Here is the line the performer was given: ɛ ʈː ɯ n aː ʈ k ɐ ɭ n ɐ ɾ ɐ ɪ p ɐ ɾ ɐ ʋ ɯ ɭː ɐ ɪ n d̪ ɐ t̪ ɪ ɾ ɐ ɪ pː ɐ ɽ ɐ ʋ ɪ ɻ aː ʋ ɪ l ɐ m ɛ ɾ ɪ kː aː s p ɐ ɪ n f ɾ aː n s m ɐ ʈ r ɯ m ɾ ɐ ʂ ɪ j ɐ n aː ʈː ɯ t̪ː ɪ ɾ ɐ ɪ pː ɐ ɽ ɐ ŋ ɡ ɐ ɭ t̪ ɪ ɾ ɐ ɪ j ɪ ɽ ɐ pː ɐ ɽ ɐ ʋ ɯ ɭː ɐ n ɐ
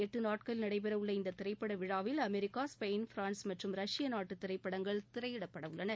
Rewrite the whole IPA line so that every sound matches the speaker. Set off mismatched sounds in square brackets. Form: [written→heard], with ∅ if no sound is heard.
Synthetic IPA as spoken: ɛ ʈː ɯ n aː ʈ k ɐ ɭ n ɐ [ɾ→ɽ] ɐ ɪ p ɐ ɾ ɐ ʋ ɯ ɭː ɐ ɪ n d̪ ɐ t̪ ɪ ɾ ɐ ɪ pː ɐ ɽ ɐ ʋ ɪ ɻ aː ʋ ɪ l ɐ m ɛ ɾ ɪ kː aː s p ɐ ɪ n f ɾ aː n s m ɐ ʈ r ɯ m ɾ ɐ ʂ ɪ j ɐ n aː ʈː ɯ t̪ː ɪ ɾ ɐ ɪ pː ɐ ɽ ɐ ŋ ɡ ɐ ɭ t̪ ɪ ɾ ɐ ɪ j ɪ ɽ ɐ pː ɐ ɽ ɐ ʋ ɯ ɭː ɐ n ɐ

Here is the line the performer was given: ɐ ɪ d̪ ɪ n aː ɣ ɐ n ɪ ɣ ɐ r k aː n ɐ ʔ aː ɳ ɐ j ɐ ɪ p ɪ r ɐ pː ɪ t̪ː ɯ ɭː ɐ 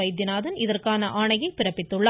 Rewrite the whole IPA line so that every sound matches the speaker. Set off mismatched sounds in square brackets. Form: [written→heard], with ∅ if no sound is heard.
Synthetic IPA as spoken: ɐ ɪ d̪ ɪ n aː [ɣ→ð] ɐ n ɪ [ɣ→ð] ɐ r k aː n ɐ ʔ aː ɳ ɐ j ɐ ɪ p ɪ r ɐ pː ɪ t̪ː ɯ ɭː ɐ

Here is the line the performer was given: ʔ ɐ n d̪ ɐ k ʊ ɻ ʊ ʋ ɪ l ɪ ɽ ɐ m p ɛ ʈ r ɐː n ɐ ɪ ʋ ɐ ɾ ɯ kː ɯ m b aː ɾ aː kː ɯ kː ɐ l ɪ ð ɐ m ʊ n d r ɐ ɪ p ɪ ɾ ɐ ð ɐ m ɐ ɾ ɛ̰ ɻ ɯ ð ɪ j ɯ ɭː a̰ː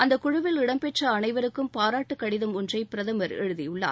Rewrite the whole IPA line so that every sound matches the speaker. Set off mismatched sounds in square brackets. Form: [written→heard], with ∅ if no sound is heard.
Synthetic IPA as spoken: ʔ ɐ n d̪ ɐ k ʊ ɻ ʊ ʋ ɪ l ɪ ɽ ɐ m p ɛ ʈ r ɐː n ɐ ɪ ʋ ɐ ɾ ɯ kː ɯ m [b→p] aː ɾ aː [kː→ʈː] ɯ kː ɐ [l→ɽ] ɪ ð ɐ m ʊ n d r ɐ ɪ p ɪ ɾ ɐ ð ɐ m ɐ ɾ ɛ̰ ɻ ɯ ð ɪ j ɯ ɭː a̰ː

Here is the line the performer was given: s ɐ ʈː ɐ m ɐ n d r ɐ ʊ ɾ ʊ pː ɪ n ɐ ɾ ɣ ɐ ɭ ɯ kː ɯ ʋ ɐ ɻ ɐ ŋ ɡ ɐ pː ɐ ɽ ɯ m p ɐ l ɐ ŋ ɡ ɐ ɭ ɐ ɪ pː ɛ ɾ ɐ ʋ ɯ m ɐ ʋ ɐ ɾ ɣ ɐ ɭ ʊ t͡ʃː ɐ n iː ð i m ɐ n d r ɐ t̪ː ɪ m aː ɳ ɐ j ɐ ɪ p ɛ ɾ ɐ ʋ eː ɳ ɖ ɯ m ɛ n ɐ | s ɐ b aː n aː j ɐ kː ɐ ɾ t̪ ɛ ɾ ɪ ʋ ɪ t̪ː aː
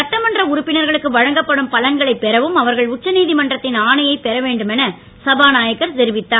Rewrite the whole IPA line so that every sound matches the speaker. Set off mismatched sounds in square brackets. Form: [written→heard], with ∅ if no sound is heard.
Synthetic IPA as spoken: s ɐ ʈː ɐ m ɐ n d r ɐ ʊ ɾ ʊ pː ɪ n ɐ ɾ ɣ ɐ ɭ ɯ kː ɯ ʋ ɐ ɻ ɐ ŋ ɡ ɐ pː ɐ ɽ ɯ m p ɐ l ɐ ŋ ɡ ɐ ɭ ɐ ɪ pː ɛ ɾ ɐ ʋ ɯ m ɐ ʋ ɐ ɾ ɣ ɐ ɭ ʊ t͡ʃː ɐ n iː ð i m ɐ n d r ɐ t̪ː ɪ [m→n] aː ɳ ɐ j ɐ ɪ p ɛ ɾ ɐ ʋ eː ɳ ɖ ɯ m ɛ n ɐ | s ɐ b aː n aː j ɐ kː ɐ ɾ t̪ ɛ ɾ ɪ ʋ ɪ t̪ː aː

